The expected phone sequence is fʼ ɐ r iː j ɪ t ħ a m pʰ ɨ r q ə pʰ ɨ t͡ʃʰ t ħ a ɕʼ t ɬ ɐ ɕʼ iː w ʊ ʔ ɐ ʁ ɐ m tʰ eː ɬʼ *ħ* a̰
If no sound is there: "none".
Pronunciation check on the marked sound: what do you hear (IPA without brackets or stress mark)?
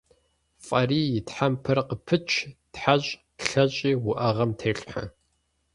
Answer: ħ